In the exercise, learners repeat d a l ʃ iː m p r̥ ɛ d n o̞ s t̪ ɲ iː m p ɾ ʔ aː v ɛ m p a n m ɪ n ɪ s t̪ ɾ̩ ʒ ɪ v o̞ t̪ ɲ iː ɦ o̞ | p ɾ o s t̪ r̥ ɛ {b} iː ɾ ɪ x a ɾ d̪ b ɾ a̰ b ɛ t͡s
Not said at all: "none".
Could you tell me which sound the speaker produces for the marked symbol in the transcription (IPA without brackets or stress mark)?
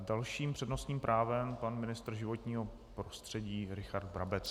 ɟ